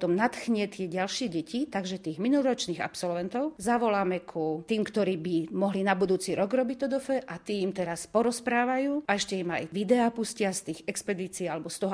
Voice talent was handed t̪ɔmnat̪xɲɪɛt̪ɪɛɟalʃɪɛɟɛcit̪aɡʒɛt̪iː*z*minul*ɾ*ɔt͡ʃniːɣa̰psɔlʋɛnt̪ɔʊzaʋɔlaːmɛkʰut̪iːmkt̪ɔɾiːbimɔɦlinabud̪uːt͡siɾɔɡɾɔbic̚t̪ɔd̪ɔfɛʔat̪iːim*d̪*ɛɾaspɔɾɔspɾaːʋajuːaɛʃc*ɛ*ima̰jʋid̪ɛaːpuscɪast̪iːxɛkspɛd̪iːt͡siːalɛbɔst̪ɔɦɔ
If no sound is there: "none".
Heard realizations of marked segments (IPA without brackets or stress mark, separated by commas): ɣ, ɾ, t̪, ɛ